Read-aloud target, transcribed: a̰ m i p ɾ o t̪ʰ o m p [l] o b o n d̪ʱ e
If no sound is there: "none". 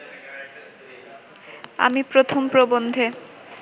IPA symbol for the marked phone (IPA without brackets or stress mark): ɾ